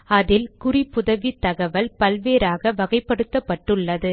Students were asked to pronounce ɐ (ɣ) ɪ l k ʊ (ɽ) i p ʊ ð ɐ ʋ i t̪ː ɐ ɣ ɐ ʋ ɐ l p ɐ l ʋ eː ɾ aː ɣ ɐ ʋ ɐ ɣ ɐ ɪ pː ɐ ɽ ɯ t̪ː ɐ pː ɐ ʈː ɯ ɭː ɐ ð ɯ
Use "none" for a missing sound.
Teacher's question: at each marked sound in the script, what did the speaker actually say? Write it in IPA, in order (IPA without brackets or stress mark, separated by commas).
ð, r